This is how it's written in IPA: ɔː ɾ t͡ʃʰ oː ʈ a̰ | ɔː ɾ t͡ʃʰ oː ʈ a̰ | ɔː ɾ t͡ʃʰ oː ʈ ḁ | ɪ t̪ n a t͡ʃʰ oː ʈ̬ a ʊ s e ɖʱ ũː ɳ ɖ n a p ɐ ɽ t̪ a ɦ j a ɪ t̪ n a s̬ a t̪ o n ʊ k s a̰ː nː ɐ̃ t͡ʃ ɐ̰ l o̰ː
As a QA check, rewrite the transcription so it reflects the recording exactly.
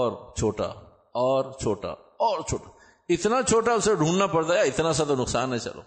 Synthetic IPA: ɔː ɾ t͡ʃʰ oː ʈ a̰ | ɔː ɾ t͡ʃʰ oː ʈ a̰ | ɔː ɾ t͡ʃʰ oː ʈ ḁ | ɪ t̪ n a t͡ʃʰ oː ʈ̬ a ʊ s e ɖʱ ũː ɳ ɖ n a p ɐ ɽ t̪ a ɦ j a ɪ t̪ n a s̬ a t̪ o n ʊ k s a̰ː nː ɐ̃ t͡ʃ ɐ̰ l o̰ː